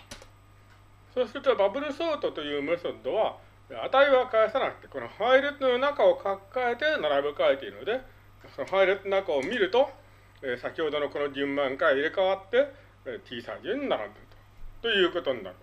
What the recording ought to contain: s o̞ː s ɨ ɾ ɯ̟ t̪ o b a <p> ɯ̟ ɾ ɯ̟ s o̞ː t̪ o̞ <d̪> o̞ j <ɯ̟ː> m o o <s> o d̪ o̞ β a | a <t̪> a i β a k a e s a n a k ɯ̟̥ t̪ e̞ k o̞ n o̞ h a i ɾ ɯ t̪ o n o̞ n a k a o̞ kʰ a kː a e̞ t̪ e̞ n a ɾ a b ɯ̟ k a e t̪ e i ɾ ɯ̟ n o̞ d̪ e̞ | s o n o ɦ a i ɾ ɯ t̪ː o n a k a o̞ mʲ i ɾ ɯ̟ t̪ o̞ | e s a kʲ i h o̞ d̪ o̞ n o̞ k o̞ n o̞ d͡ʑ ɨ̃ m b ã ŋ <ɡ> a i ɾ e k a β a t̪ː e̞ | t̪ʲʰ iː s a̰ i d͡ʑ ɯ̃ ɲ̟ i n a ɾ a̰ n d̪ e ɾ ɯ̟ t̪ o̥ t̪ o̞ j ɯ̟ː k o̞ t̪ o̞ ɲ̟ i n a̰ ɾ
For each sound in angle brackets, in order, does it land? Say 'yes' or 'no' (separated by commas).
no, no, yes, yes, yes, no